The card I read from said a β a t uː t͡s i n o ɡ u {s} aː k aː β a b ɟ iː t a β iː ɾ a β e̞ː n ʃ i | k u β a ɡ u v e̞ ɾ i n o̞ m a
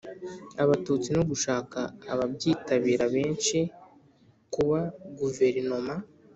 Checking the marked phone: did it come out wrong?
yes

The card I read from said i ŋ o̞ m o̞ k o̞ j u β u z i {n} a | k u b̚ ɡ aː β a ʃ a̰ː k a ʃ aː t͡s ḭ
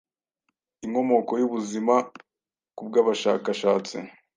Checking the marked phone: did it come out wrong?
yes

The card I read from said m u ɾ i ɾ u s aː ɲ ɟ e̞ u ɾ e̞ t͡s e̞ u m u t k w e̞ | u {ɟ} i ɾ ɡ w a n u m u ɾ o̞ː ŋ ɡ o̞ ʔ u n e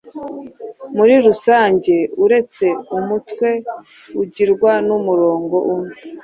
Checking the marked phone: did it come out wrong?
no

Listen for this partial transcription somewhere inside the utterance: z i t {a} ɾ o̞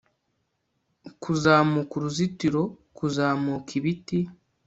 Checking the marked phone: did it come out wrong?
yes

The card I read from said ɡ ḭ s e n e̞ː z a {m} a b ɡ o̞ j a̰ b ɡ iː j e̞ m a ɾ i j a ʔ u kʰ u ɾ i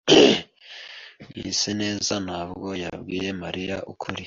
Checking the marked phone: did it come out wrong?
yes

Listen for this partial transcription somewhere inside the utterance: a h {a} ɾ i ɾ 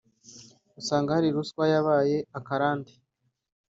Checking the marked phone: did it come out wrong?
no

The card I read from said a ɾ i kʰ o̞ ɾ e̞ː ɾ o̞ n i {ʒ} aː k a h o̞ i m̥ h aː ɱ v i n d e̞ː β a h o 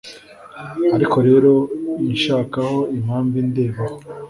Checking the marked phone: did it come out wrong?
yes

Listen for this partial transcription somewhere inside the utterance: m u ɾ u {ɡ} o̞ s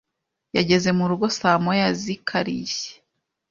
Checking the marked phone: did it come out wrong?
no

